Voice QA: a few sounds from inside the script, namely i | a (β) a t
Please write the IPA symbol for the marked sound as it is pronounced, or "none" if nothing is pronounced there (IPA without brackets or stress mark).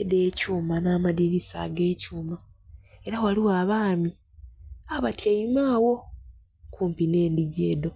β